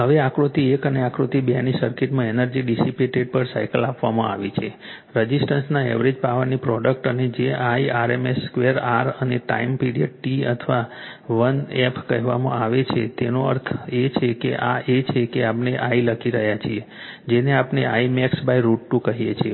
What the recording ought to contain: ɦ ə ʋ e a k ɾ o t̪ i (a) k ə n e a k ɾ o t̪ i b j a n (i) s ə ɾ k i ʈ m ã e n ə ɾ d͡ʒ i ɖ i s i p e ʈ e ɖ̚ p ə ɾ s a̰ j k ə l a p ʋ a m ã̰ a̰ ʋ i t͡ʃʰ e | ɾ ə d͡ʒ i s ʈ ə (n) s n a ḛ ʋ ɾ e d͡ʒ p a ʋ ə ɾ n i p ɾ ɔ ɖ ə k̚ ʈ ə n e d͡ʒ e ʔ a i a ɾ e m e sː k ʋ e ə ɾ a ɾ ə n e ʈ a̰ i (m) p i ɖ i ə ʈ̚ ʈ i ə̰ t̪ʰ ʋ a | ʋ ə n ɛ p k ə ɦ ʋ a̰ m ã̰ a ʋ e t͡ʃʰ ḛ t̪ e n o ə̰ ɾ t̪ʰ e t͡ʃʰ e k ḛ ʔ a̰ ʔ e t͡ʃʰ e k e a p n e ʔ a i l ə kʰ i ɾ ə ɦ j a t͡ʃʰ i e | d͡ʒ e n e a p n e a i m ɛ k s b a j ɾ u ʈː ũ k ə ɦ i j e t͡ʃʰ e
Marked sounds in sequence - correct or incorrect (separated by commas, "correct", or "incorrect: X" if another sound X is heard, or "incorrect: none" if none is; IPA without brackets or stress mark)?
incorrect: e, correct, correct, correct